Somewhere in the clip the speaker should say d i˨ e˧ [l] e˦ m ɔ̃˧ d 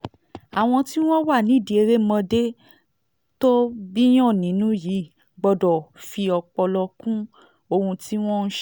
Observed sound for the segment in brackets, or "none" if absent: ɾ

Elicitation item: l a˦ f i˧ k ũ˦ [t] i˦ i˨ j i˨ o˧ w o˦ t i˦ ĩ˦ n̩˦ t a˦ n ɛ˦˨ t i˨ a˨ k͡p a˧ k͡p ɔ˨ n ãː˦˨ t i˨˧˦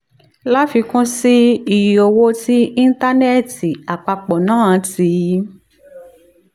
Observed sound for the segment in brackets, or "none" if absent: s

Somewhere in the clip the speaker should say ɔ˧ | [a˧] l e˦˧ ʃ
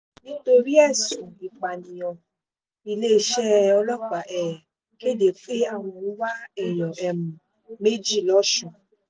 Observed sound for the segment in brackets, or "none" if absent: i˧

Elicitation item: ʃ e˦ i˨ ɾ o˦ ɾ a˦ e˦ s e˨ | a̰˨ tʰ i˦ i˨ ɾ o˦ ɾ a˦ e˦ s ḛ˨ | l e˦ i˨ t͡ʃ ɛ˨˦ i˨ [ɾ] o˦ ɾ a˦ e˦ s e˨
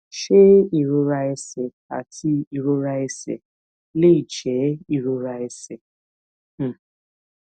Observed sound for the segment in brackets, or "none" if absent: ɾ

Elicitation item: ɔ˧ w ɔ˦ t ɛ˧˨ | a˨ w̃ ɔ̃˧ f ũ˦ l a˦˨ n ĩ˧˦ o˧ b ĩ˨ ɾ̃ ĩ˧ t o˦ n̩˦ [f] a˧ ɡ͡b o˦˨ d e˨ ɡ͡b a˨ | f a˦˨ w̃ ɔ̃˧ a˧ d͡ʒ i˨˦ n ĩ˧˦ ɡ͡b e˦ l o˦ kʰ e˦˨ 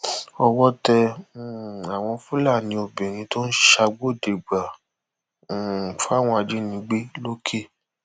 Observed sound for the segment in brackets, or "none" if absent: ʃ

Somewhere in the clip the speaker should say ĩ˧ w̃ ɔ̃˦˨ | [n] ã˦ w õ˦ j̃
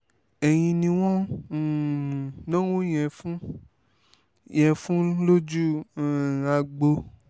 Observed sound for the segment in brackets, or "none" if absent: n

